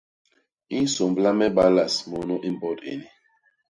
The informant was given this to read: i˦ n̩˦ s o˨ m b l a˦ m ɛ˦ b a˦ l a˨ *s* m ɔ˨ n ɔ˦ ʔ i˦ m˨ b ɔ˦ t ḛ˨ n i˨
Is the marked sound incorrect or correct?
correct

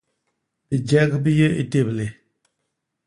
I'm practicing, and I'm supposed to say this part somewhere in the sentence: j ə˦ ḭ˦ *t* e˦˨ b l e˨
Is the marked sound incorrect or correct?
correct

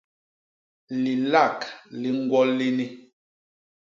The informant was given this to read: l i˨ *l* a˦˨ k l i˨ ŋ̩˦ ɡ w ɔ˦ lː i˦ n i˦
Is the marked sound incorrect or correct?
correct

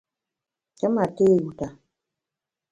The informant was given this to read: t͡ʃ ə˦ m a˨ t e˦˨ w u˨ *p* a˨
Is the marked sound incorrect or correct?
incorrect: t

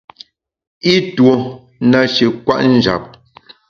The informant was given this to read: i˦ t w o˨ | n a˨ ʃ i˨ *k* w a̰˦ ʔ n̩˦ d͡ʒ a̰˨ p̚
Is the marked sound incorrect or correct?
correct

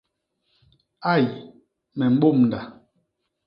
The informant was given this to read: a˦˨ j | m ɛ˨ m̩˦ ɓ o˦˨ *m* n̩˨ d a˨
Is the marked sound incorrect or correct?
correct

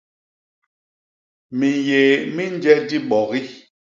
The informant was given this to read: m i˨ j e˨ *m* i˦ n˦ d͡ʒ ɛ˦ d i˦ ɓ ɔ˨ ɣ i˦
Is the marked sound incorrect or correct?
correct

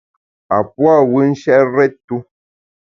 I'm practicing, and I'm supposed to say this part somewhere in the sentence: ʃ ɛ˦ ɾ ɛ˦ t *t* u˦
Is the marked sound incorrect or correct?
correct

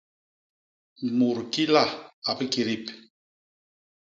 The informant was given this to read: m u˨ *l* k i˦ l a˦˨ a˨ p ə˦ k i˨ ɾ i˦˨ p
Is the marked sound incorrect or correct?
incorrect: ɾ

